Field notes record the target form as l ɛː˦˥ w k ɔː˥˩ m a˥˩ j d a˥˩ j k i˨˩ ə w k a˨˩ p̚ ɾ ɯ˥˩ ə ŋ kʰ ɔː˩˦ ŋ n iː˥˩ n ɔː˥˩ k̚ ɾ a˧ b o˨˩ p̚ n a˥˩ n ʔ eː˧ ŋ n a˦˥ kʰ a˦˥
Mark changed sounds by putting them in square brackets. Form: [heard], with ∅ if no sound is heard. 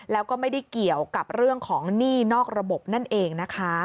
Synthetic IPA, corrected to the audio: l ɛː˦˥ w k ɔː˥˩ m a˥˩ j d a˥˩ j k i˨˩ ə w k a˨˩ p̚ ɾ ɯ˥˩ ə ŋ kʰ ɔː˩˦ ŋ n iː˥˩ n ɔː˥˩ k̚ ɾ a˧ b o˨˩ p̚ n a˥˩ n ʔ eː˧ ŋ n a˦˥ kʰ a˦˥